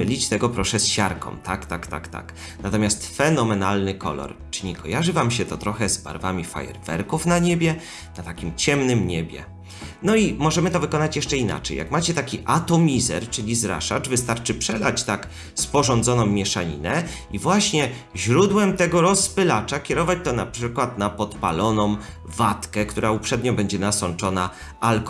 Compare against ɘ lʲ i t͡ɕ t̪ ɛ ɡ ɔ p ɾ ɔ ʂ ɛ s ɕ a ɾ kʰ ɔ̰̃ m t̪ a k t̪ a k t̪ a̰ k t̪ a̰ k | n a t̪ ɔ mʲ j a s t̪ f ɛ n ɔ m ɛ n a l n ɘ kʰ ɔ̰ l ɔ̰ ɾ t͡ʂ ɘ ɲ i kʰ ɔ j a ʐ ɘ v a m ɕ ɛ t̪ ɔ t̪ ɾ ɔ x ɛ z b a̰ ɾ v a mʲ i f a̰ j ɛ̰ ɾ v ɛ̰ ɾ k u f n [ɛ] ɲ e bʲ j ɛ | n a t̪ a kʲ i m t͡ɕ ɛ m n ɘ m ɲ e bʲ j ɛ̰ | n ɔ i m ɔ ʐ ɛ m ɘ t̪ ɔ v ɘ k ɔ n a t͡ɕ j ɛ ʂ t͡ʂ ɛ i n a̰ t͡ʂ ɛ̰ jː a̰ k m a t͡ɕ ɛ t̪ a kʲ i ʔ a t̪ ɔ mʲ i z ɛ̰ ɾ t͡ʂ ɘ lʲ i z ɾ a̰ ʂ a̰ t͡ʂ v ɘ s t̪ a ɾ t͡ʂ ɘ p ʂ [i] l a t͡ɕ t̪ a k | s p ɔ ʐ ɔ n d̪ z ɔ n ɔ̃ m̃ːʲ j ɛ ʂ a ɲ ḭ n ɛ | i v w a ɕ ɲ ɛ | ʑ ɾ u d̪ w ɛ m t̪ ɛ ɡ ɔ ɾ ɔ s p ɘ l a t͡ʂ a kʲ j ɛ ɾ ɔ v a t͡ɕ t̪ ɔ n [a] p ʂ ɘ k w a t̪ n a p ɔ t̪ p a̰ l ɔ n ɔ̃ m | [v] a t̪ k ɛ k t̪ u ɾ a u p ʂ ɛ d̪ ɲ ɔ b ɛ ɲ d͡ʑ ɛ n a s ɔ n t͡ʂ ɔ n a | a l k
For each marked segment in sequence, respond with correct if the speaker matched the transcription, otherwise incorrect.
incorrect: a, incorrect: ɛ, correct, correct

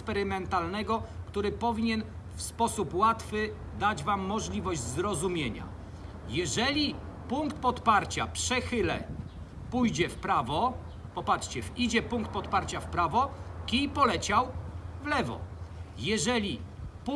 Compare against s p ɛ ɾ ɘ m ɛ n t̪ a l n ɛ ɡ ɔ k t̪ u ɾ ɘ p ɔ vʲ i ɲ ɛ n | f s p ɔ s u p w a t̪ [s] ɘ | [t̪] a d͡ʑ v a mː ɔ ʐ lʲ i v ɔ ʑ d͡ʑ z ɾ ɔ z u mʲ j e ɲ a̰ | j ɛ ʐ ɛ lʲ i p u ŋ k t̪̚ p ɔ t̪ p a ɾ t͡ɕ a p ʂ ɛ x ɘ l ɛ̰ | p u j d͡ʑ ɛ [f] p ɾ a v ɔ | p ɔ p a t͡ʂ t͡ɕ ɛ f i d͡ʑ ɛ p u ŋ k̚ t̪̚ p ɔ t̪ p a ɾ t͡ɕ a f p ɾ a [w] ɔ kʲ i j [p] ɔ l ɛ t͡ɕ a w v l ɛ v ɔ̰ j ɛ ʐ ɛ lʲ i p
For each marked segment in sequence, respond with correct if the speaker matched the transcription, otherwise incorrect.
incorrect: f, incorrect: d̪, correct, incorrect: v, correct

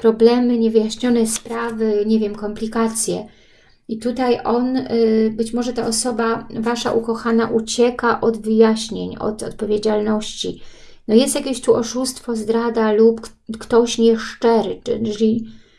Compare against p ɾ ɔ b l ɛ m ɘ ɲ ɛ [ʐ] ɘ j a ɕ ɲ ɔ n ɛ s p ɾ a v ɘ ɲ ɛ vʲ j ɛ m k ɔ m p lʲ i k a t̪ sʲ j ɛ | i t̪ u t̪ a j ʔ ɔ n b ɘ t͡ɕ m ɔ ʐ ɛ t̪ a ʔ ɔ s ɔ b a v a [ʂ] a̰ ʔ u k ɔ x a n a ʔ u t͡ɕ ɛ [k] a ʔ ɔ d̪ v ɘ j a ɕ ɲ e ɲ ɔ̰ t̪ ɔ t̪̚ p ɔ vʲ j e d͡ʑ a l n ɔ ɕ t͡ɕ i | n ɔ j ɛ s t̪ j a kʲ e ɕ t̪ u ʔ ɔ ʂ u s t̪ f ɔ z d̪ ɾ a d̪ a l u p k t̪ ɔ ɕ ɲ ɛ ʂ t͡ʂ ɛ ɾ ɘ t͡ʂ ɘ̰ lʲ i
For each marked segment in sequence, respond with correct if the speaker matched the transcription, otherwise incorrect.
incorrect: v, correct, correct

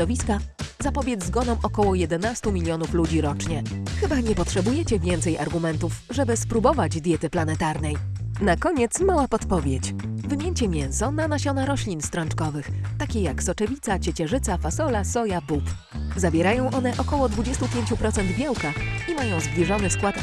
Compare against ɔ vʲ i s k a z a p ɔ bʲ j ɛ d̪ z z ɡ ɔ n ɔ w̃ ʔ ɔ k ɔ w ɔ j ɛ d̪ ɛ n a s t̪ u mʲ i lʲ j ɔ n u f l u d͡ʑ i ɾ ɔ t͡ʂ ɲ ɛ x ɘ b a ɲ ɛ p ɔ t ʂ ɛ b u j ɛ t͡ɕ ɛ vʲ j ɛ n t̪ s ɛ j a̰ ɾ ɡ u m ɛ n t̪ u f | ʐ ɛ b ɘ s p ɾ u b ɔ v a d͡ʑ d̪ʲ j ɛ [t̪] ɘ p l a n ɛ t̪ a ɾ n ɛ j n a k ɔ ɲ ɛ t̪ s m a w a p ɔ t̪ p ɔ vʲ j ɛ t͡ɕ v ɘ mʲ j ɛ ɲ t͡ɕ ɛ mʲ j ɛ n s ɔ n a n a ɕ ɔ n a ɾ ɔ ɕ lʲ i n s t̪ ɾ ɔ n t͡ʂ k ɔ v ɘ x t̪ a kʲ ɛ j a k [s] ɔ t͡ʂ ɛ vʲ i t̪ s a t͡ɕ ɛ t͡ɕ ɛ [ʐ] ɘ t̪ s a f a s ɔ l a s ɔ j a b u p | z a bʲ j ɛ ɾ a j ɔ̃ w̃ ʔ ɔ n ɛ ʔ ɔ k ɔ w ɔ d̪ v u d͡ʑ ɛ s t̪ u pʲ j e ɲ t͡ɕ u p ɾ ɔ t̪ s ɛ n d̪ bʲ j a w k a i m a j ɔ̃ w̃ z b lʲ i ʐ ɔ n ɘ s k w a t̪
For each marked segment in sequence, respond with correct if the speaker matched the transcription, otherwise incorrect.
correct, correct, correct

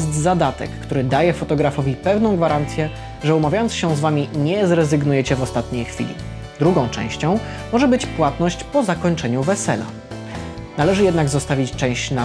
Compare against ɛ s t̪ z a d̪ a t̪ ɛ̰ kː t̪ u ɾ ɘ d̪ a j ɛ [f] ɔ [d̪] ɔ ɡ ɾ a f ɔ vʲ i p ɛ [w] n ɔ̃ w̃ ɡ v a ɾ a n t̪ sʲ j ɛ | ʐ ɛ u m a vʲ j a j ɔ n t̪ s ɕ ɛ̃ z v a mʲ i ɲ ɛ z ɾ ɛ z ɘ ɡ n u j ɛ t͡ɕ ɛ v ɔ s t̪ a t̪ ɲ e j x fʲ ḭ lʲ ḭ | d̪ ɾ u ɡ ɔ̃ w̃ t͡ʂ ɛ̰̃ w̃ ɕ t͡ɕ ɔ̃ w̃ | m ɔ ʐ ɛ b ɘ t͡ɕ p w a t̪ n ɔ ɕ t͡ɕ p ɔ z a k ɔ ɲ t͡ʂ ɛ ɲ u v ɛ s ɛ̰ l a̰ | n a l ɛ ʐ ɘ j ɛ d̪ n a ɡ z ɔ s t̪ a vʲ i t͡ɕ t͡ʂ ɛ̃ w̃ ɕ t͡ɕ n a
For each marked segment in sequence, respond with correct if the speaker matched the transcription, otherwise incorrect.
correct, incorrect: t̪, incorrect: v

